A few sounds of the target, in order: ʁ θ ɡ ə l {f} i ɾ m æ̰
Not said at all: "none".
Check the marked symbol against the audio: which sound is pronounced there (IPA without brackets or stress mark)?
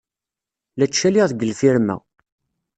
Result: f